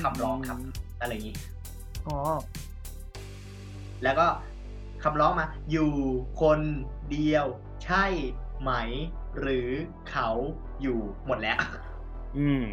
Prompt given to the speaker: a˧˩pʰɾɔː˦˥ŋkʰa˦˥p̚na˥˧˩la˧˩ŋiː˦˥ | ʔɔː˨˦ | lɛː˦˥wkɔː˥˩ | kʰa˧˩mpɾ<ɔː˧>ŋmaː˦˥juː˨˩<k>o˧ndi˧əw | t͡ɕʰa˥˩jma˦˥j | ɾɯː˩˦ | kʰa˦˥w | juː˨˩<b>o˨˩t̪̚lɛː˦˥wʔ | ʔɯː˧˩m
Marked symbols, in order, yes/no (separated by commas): no, no, no